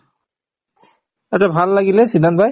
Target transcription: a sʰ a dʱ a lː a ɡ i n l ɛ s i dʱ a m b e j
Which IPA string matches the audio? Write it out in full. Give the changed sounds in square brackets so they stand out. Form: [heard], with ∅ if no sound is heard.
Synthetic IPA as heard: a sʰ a [bʱ] a lː a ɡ i [∅] l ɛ s i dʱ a [n] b [a] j